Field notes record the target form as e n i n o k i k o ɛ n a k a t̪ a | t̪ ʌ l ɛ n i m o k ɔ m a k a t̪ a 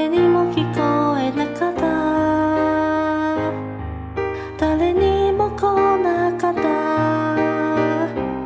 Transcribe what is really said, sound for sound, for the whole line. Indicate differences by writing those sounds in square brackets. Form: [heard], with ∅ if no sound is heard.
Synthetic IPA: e n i [m] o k i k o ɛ n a k a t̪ a | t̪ [a] l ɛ n i m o k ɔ [n] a k a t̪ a